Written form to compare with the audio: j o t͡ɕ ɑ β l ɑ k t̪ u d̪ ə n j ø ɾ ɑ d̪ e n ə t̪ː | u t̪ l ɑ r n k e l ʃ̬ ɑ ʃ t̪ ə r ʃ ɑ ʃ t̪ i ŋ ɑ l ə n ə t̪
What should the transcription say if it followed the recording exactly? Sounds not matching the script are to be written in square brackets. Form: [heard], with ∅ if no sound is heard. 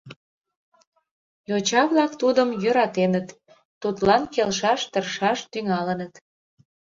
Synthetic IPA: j o t͡ɕ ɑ β l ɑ k t̪ u d̪ ə [m] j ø ɾ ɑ [t̪] e n ə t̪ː | u t̪ l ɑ [∅] n k e l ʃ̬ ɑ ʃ t̪ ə r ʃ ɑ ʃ t̪ [y] ŋ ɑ l ə n ə t̪